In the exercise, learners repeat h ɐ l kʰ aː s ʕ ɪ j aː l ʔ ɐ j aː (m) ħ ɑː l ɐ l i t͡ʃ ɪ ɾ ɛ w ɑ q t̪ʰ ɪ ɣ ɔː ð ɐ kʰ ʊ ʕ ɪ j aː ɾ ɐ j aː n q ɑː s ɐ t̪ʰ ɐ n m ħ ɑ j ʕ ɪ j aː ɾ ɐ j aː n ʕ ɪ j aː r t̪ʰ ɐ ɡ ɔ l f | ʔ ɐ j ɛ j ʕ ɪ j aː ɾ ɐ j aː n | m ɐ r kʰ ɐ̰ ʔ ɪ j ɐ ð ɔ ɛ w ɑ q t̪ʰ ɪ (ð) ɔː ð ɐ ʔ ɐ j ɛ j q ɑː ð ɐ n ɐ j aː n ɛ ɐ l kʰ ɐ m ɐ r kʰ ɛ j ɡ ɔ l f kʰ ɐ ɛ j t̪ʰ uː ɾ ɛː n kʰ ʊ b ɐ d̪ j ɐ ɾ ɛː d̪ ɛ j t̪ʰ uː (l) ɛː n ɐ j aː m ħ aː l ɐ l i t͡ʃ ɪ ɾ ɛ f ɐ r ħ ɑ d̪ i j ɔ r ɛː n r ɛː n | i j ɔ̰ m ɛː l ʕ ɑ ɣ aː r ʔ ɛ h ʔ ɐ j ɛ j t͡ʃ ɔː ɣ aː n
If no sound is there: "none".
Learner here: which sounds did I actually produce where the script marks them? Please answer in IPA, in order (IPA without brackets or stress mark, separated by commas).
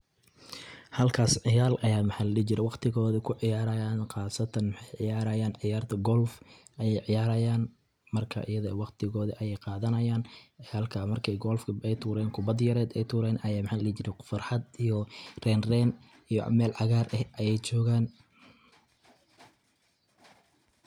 m, ɣ, ɾ